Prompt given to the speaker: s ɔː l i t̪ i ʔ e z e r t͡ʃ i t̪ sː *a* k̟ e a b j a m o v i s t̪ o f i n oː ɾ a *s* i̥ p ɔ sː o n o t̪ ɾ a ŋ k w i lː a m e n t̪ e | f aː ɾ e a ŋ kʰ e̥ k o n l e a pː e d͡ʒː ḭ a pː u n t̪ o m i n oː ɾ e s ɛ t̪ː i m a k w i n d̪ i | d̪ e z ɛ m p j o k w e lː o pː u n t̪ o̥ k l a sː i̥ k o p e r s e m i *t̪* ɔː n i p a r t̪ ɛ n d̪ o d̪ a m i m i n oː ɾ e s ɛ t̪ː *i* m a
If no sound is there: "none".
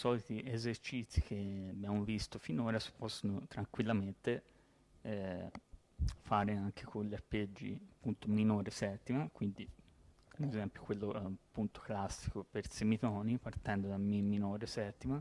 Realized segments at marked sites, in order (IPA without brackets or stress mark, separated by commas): i, s, t̪, i